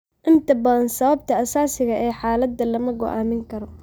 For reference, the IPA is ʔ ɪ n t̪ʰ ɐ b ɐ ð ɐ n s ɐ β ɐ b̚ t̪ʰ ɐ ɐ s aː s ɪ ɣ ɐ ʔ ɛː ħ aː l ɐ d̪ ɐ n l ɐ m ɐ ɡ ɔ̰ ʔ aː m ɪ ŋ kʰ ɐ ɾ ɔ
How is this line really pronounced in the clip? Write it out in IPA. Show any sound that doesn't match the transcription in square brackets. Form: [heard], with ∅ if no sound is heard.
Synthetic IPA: ʔ ɪ n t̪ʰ ɐ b ɐ ð ɐ n s ɐ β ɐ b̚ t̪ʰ ɐ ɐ s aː s ɪ ɣ ɐ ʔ ɛː ħ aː l ɐ d̪ ɐ [∅] l ɐ m ɐ ɡ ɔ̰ ʔ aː m ɪ ŋ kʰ ɐ ɾ ɔ